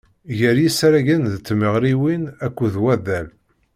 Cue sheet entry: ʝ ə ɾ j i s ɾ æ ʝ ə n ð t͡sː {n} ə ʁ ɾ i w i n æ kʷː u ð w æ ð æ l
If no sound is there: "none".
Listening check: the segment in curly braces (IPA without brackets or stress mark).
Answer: m